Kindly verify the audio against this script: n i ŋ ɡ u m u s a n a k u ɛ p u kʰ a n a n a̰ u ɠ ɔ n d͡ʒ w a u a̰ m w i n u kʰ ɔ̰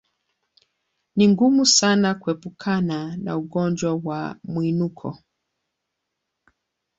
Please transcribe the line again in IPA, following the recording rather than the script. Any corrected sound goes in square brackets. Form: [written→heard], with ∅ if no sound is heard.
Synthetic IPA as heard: n i ŋ ɡ u m u s a n a k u ɛ p u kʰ a n a n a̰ u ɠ ɔ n d͡ʒ w a [u→w] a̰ m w i n u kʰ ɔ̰